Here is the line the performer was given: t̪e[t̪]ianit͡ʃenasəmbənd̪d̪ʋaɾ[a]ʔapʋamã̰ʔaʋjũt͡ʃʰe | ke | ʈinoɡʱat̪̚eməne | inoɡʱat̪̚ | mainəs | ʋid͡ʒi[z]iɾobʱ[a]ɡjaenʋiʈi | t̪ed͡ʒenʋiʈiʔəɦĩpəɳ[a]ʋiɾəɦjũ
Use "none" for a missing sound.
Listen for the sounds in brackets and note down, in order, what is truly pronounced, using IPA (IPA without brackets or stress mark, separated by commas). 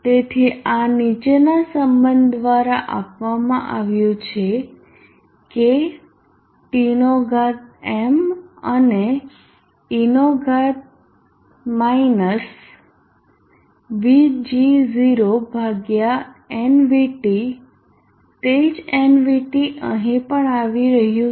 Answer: t̪ʰ, a, z, a, a